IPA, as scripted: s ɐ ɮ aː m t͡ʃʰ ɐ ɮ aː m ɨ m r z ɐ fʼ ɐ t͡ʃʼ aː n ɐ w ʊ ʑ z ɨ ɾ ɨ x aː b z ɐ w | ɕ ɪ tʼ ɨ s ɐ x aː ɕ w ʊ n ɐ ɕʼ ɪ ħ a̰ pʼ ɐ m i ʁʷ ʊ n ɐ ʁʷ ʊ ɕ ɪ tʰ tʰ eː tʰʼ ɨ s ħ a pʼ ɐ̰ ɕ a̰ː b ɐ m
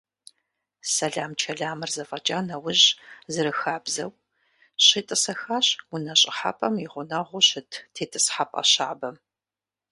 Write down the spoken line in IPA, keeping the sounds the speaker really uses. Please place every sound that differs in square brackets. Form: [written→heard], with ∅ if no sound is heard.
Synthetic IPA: s ɐ ɮ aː m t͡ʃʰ ɐ ɮ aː m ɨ [m→∅] r z ɐ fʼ ɐ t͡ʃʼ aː n ɐ w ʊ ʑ z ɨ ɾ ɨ x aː b z ɐ w | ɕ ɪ tʼ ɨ s ɐ x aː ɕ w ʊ n ɐ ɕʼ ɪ ħ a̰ pʼ ɐ m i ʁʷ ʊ n ɐ ʁʷ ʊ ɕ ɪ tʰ tʰ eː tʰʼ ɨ s ħ a pʼ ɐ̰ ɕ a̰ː b ɐ m